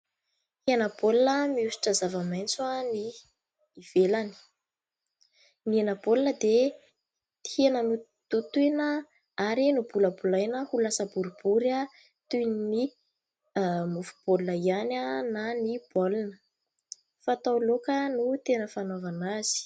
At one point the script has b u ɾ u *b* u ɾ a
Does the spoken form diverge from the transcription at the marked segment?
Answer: no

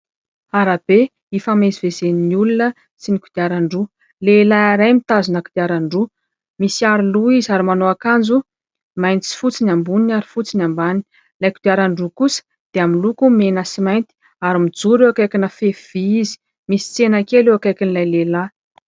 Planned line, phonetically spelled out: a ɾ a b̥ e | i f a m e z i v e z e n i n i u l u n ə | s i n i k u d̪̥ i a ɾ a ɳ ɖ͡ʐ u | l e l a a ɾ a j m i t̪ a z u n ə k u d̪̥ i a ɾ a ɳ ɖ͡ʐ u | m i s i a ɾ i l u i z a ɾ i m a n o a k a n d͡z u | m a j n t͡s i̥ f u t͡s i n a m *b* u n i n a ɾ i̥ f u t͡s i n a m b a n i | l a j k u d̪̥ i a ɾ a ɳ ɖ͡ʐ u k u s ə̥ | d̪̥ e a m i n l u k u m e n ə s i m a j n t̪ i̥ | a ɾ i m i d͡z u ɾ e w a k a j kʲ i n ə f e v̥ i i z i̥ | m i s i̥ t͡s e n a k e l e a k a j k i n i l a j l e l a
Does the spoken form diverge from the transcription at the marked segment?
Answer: no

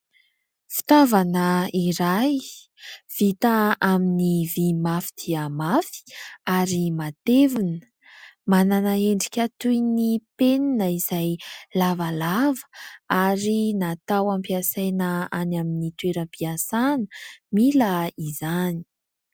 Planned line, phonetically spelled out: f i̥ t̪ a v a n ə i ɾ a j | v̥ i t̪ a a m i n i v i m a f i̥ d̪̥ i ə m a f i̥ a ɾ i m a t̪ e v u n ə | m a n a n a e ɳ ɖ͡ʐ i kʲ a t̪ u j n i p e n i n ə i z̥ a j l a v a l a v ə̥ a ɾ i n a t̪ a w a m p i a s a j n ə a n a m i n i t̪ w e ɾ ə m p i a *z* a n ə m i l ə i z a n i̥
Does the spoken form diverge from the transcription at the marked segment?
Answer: yes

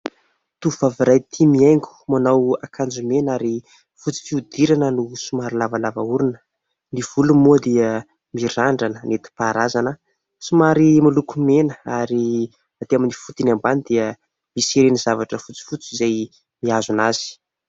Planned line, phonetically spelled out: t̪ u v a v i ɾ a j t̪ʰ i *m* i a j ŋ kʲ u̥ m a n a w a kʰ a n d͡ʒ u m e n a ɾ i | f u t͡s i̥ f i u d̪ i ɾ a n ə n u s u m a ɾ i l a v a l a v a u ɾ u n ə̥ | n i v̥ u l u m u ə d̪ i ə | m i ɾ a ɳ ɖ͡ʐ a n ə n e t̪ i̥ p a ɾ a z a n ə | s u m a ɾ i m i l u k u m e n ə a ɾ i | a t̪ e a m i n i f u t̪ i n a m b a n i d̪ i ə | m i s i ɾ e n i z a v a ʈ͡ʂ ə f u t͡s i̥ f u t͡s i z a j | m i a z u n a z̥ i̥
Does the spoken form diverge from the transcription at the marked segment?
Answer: no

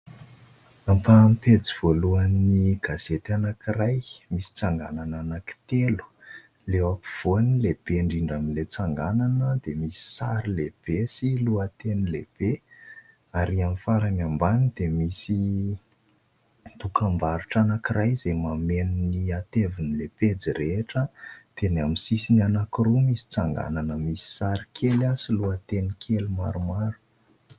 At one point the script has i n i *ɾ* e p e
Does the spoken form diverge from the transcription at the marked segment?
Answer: yes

